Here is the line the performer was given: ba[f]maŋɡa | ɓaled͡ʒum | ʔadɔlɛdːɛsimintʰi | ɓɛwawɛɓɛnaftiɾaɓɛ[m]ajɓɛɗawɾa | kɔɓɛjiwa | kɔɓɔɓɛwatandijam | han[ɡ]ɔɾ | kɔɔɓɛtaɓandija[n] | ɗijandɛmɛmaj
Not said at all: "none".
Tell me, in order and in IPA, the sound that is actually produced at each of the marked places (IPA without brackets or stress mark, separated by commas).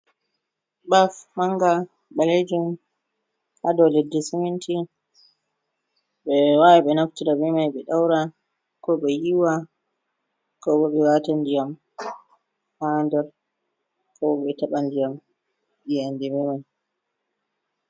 f, m, d, m